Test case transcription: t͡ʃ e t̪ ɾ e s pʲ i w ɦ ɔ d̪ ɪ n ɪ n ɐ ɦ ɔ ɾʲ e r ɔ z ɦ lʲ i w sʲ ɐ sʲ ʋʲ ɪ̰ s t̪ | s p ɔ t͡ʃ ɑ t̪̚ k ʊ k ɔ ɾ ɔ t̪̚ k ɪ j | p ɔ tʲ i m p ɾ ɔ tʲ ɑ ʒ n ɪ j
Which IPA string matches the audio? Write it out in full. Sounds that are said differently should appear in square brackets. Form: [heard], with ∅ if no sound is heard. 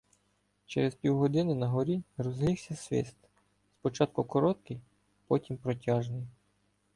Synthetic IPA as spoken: t͡ʃ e [∅] ɾ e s pʲ i w ɦ ɔ d̪ ɪ n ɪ n ɐ ɦ ɔ ɾʲ [i] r ɔ z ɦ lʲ i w sʲ ɐ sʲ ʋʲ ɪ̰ s t̪ | s p ɔ t͡ʃ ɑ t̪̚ k ʊ k ɔ ɾ ɔ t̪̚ k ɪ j | p ɔ tʲ i m p ɾ ɔ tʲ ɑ ʒ n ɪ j